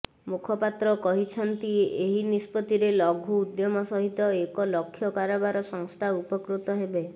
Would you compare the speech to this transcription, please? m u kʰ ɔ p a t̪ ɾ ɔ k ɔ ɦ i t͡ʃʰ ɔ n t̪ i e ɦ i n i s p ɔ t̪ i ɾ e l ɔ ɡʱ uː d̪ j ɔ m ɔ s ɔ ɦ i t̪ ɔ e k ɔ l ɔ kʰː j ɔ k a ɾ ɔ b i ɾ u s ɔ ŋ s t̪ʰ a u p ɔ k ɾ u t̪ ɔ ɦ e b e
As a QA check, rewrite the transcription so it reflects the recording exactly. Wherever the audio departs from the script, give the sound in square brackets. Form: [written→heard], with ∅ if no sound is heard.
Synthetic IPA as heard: m u kʰ ɔ p a t̪ ɾ ɔ k ɔ ɦ i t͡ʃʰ ɔ n t̪ i e ɦ i n i s p ɔ t̪ i ɾ e l ɔ ɡʱ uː d̪ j ɔ m ɔ s ɔ ɦ i t̪ ɔ e k ɔ l ɔ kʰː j ɔ k a ɾ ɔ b [i→a] ɾ [u→ɔ] s ɔ ŋ s t̪ʰ a u p ɔ k ɾ u t̪ ɔ ɦ e b e